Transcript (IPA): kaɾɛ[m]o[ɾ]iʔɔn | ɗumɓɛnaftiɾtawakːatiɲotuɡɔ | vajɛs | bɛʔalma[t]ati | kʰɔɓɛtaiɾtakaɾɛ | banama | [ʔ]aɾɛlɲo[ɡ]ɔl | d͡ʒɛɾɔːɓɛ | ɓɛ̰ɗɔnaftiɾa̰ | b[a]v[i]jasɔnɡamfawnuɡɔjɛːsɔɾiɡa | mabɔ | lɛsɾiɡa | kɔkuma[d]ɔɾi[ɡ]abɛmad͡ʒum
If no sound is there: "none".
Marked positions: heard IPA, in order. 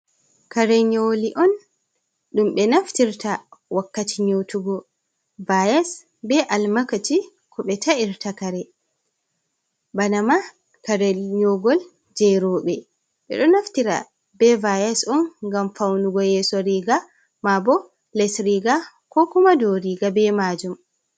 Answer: ɲ, l, k, k, ɡ, ɛ, a, d, ɡ

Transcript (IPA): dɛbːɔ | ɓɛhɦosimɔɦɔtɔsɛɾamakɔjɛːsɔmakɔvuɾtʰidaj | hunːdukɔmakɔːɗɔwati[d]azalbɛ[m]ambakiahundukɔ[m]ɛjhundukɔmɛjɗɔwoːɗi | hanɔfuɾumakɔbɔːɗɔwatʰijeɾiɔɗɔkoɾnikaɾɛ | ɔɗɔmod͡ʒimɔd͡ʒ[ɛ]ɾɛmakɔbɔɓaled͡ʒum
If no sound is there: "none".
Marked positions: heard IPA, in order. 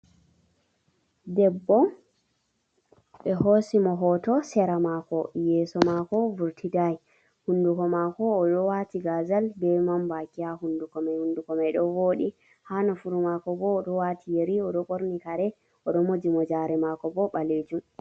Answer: ɡ, m, m, a

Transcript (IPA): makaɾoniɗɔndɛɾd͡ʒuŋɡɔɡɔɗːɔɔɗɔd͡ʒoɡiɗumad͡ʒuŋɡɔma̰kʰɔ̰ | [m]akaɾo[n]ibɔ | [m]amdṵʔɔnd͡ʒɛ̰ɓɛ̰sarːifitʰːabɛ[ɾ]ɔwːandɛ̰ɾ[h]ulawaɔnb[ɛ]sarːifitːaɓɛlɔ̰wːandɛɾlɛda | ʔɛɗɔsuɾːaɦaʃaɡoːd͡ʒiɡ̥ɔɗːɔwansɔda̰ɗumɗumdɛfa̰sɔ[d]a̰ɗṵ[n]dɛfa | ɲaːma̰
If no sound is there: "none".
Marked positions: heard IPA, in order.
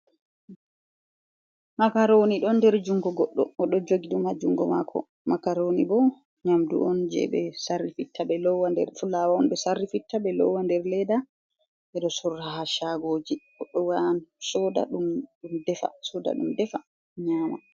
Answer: m, n, ɲ, l, f, ɛ, d, m

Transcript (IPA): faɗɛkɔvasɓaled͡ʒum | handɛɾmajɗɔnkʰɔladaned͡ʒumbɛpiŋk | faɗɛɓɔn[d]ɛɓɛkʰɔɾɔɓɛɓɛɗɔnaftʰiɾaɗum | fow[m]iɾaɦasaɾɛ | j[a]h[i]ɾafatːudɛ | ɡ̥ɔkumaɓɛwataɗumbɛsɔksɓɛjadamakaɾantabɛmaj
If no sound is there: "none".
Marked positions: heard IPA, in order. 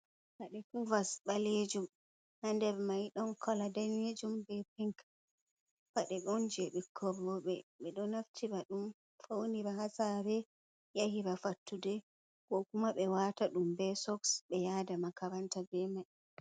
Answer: d͡ʒ, n, a, i

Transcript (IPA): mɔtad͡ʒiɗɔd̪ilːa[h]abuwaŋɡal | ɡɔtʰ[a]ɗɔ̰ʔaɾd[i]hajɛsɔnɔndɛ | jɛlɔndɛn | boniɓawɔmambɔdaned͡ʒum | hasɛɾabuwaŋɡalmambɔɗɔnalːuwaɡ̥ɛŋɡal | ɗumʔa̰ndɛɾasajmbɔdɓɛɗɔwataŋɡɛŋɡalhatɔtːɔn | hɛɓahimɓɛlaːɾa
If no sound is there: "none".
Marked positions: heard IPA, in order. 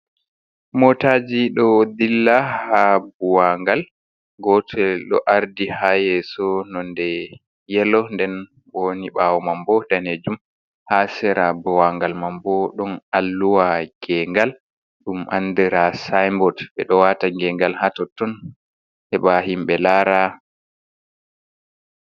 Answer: h, ɛ, i

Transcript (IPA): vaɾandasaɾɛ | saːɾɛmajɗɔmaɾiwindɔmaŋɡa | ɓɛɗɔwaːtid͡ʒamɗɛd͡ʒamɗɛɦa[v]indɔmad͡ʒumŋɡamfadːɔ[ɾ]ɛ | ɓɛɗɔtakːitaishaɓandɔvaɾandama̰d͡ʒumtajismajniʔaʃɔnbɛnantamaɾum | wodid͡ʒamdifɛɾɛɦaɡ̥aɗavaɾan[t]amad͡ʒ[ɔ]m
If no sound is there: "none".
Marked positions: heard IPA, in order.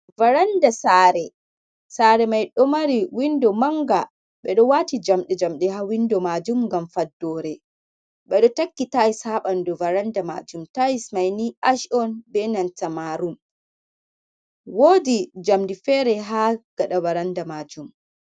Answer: w, ɾ, d, u

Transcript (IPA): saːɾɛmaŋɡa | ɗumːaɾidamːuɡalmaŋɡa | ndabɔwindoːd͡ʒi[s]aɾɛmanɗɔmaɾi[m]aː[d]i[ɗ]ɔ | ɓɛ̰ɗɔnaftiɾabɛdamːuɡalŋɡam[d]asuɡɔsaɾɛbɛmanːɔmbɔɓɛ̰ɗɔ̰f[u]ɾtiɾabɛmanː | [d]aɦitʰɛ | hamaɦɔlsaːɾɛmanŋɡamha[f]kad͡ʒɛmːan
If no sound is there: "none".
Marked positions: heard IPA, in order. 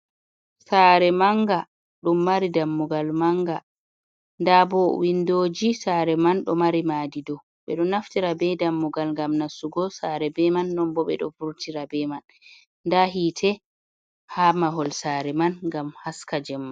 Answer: s, m, d, d, n, u, d, s

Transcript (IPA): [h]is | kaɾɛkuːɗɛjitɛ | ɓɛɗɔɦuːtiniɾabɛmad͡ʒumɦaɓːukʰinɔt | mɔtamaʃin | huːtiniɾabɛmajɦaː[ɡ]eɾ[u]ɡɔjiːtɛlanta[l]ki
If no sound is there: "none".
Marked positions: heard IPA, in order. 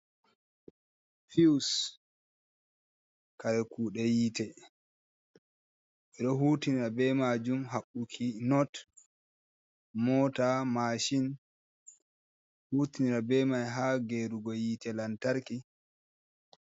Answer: f, ɡ, u, ɾ

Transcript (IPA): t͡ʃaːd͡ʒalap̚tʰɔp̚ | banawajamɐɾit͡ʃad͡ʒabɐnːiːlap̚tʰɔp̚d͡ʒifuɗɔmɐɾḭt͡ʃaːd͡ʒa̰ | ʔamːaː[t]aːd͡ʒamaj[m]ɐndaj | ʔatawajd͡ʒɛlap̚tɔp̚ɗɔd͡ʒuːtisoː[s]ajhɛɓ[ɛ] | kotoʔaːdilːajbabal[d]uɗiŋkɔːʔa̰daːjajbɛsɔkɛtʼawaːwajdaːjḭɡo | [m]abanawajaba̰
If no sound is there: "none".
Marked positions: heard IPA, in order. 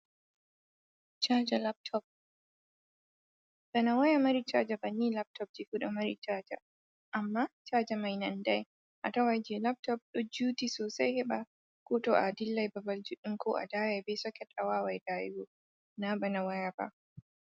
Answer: t͡ʃ, n, s, a, d͡ʒ, n

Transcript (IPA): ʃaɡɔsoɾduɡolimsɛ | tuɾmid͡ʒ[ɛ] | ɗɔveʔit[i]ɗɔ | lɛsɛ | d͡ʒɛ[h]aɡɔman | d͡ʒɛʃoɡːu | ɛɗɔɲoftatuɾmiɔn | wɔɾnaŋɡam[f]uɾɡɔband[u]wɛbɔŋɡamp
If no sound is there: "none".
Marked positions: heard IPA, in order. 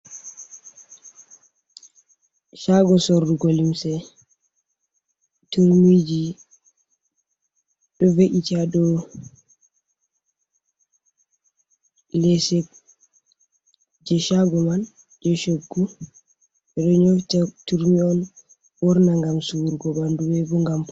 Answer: i, a, ʃ, s, u

